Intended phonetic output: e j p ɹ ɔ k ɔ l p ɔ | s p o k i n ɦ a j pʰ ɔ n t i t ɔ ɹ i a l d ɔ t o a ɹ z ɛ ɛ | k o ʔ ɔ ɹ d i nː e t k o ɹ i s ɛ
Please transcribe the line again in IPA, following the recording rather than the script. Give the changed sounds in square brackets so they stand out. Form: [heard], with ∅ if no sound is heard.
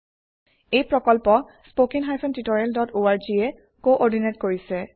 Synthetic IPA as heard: e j p ɹ ɔ k ɔ l p ɔ | s p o k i n ɦ a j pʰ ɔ n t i t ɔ ɹ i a l d ɔ t o a ɹ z [i] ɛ | k o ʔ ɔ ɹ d i [n] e t k o ɹ i s ɛ